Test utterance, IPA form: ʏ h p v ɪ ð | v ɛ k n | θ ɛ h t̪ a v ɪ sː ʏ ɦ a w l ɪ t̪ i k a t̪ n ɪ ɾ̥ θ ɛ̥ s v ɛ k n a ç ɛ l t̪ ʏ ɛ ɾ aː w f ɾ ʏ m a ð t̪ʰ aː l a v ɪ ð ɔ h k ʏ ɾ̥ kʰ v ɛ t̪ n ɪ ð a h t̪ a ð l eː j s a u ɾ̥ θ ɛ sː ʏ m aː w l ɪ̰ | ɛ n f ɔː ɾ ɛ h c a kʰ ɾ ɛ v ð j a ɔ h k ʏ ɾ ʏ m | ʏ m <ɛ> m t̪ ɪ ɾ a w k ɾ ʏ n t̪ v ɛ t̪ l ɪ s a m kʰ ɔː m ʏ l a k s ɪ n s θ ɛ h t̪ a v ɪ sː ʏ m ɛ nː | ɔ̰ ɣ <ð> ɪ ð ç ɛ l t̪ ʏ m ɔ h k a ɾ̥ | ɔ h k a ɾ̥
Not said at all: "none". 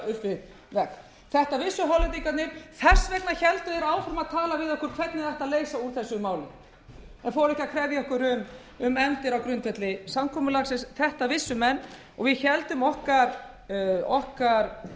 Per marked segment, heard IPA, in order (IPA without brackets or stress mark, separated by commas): ɛ, v